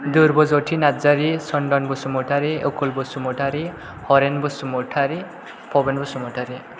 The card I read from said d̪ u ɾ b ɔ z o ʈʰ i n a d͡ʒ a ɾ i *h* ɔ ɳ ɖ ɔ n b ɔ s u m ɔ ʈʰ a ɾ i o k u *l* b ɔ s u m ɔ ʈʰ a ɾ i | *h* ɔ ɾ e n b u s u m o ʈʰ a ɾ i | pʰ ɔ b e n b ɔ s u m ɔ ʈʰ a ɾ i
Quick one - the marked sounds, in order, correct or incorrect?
incorrect, correct, correct

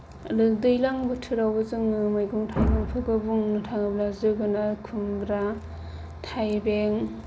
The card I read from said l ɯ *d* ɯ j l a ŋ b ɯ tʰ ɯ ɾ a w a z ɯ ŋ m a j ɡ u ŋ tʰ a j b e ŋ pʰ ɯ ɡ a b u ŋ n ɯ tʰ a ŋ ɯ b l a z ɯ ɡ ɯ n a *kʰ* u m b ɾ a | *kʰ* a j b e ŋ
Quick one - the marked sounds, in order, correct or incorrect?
correct, correct, incorrect

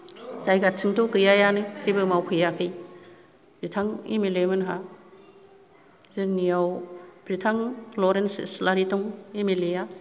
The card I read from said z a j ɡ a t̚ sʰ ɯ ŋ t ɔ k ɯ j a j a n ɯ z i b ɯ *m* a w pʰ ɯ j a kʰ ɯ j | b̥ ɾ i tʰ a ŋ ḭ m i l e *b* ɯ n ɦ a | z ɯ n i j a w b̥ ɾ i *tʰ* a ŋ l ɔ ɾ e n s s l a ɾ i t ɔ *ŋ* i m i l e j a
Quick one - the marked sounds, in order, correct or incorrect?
correct, incorrect, correct, correct

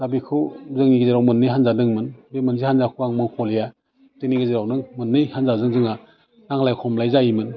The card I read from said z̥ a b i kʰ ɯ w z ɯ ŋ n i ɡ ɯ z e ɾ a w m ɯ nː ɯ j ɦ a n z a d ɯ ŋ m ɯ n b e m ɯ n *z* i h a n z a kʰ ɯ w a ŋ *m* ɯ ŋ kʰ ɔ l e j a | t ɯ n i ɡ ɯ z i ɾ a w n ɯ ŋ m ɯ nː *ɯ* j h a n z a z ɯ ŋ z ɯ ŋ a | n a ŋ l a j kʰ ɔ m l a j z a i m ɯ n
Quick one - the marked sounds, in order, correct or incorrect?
correct, correct, correct

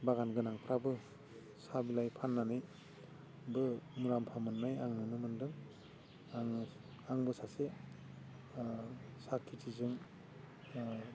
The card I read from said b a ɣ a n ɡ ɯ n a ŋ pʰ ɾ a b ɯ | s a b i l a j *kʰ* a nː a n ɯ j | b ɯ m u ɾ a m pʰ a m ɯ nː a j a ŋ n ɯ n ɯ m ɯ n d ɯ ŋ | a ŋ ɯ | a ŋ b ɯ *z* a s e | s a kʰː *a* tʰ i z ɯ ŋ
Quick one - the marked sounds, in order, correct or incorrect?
incorrect, incorrect, incorrect

